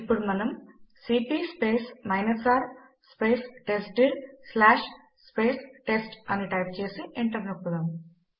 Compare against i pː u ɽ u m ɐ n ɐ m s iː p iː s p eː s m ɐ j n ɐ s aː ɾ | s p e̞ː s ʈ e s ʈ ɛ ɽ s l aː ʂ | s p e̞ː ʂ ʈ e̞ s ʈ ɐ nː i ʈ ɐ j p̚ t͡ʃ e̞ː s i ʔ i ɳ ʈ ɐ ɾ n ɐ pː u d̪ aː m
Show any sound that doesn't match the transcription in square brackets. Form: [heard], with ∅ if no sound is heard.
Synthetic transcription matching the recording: i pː u ɽ u m ɐ n ɐ m s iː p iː s p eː s m ɐ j n ɐ s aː ɾ | s p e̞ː s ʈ e s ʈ [i] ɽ s l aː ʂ | s p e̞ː [s] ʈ e̞ s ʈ ɐ [n] i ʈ ɐ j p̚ t͡ʃ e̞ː s i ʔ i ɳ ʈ ɐ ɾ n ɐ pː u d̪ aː m